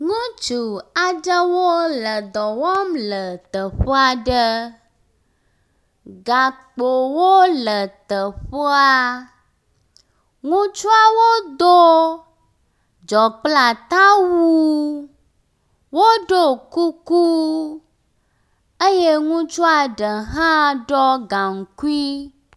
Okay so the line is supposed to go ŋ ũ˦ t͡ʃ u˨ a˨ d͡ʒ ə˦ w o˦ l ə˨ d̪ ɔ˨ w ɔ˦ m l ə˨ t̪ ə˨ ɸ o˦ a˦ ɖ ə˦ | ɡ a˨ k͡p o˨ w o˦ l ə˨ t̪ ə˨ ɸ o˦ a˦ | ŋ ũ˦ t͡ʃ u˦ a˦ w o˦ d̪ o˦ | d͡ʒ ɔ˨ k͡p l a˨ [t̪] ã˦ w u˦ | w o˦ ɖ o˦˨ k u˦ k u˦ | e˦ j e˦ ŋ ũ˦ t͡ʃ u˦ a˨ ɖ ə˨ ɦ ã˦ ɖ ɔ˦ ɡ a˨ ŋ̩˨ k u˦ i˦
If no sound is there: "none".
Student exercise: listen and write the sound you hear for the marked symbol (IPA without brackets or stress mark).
t̪